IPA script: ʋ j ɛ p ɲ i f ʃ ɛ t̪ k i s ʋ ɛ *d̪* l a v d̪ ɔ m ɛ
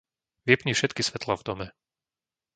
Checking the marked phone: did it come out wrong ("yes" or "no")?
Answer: yes